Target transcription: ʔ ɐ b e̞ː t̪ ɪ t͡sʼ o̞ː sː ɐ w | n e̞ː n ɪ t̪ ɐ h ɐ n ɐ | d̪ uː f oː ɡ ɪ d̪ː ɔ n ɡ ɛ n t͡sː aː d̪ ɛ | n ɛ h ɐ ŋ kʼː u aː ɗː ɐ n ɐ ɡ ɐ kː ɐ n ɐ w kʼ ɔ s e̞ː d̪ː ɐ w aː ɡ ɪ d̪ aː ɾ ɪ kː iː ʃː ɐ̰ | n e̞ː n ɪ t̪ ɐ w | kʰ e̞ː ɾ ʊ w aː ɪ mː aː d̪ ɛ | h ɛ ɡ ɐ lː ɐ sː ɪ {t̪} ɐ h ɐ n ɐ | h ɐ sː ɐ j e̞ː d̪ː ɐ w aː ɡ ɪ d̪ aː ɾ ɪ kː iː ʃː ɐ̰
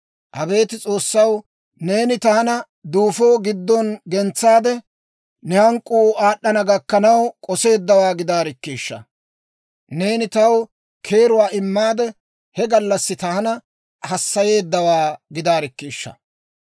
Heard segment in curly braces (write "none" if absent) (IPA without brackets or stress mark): t̪